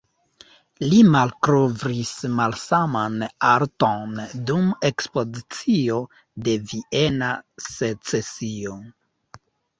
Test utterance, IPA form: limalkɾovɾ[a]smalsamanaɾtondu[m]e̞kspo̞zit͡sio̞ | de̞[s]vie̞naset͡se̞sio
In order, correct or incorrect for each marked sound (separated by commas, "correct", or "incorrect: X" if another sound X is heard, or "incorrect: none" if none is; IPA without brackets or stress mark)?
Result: incorrect: i, correct, incorrect: none